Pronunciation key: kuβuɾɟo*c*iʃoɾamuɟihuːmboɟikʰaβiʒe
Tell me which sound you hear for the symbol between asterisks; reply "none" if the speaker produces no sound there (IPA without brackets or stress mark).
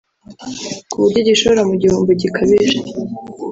ɟ